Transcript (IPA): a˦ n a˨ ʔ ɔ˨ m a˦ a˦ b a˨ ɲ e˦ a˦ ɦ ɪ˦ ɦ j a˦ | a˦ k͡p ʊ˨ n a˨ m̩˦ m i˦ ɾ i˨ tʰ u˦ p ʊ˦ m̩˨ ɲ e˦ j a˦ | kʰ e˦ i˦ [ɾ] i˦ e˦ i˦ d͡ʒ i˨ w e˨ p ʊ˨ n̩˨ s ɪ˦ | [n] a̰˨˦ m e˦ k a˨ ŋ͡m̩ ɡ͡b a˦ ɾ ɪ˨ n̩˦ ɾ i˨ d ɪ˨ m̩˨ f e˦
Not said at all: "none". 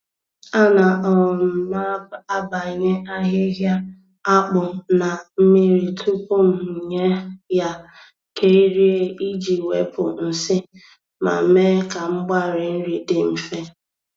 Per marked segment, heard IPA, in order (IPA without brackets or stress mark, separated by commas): ɾ, m